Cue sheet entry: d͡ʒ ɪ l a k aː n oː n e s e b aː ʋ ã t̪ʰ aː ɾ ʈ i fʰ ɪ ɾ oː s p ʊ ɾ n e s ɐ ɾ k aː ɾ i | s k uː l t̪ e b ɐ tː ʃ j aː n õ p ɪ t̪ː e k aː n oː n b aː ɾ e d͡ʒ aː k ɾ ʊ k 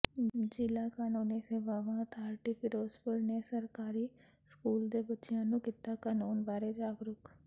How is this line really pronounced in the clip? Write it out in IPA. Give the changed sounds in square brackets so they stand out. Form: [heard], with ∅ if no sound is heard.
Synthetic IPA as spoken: d͡ʒ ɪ l a k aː n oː n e s e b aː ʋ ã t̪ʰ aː ɾ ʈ i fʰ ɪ ɾ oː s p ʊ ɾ n e s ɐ ɾ k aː ɾ i | s k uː l [d̪] e b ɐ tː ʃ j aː n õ [k] ɪ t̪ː [a] k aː n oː n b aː ɾ e d͡ʒ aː [ɡ] ɾ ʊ k